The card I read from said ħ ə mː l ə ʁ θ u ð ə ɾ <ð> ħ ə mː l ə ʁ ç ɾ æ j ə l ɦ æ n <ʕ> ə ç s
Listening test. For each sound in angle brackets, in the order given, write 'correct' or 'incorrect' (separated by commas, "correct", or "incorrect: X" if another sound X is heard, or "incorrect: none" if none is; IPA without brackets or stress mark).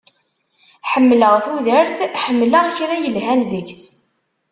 incorrect: θ, incorrect: ð